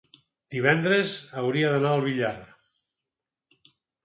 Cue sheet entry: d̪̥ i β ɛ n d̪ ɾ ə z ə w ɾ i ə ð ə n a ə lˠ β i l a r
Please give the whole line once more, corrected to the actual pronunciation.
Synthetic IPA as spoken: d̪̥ i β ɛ n d̪ ɾ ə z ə w ɾ i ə ð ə n a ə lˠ β i ʎ a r